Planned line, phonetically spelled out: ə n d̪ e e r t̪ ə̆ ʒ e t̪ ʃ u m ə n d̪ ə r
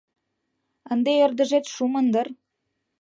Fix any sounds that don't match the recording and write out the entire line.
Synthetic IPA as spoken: ə n d̪ e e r d̪ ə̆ ʒ e t̪ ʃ u m ə n d̪ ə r